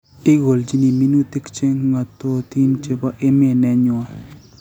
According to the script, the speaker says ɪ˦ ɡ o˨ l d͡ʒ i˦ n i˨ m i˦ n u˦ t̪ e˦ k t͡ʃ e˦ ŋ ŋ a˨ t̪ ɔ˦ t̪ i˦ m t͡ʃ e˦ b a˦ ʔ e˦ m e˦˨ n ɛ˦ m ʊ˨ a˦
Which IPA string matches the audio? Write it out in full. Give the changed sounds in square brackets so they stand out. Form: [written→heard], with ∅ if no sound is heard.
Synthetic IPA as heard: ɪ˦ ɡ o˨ l d͡ʒ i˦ n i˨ m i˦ n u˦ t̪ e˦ k t͡ʃ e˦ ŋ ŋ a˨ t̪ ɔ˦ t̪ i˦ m t͡ʃ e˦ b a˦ ʔ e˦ m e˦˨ n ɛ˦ [m→ɲ] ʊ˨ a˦